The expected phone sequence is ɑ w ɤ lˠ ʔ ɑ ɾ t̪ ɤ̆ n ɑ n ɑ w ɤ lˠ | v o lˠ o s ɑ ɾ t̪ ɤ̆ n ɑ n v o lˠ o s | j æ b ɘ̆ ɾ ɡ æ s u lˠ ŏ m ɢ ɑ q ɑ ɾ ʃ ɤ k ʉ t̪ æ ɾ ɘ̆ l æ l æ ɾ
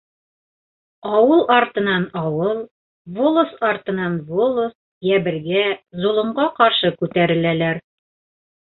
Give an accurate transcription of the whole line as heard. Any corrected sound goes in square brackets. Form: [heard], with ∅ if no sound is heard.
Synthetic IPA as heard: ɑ w ɤ lˠ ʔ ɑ ɾ t̪ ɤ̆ n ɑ n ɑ w ɤ lˠ | v o lˠ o s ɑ ɾ t̪ ɤ̆ n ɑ n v o lˠ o s | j æ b ɘ̆ ɾ ɡ æ [z] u lˠ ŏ [ɴ] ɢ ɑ q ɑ ɾ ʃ ɤ k ʉ t̪ æ ɾ ɘ̆ l æ l æ ɾ